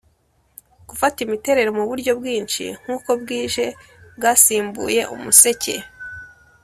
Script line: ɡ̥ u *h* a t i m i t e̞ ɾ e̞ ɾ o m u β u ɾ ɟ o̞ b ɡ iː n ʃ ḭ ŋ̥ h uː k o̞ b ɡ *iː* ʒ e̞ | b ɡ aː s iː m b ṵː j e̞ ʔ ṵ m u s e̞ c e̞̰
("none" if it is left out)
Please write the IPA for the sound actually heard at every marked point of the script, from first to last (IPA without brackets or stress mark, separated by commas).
f, iː